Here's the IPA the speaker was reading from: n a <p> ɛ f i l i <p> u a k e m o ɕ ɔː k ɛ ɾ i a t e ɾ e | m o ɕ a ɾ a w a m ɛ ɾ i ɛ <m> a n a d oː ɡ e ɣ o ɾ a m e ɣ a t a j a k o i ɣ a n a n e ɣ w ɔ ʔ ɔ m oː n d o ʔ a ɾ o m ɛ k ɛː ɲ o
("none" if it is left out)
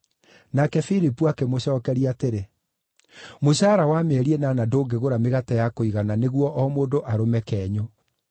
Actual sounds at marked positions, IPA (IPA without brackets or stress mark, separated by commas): k, p, n